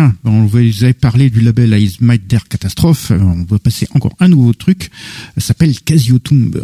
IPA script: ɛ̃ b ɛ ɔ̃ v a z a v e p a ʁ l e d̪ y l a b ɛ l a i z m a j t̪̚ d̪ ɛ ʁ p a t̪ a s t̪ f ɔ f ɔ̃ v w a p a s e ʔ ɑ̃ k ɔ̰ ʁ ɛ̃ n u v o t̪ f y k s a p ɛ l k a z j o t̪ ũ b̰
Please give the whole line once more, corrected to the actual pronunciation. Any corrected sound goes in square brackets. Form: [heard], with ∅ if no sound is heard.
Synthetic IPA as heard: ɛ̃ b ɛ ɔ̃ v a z a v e p a ʁ l e d̪ y l a b ɛ l a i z m a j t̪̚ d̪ ɛ ʁ [k] a t̪ a s t̪ [χ] ɔ f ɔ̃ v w a p a s e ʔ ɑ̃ k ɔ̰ ʁ ɛ̃ n u v o t̪ [χ] y k s a p ɛ l k a z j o t̪ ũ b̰